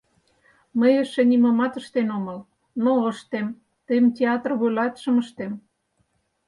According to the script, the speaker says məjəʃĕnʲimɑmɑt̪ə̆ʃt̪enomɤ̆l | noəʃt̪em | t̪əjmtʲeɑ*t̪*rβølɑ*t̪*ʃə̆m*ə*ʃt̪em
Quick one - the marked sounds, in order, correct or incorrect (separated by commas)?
correct, correct, correct